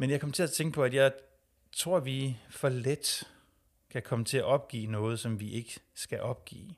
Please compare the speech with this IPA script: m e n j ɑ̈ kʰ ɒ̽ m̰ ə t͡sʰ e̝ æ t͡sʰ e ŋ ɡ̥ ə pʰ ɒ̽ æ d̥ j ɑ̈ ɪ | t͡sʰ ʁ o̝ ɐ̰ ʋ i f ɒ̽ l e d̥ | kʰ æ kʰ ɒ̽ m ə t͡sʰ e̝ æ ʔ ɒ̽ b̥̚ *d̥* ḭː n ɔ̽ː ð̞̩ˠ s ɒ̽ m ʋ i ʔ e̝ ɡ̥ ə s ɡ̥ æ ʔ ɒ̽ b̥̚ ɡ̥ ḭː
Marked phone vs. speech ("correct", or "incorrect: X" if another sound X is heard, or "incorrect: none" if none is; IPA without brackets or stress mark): incorrect: ɡ̥